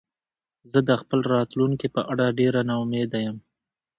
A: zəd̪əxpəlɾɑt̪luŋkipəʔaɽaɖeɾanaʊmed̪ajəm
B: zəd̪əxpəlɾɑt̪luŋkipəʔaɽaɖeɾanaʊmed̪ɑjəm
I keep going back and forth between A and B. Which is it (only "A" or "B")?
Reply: A